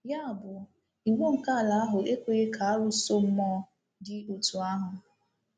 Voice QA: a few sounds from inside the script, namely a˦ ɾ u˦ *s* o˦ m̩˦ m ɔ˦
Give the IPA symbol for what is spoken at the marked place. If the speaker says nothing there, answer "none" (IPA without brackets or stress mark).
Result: s